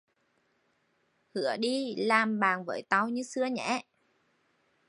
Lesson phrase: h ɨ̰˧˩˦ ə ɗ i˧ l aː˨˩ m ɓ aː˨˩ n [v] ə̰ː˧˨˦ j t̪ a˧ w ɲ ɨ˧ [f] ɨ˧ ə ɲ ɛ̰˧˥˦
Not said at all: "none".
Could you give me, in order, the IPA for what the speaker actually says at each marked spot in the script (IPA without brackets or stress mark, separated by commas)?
v, s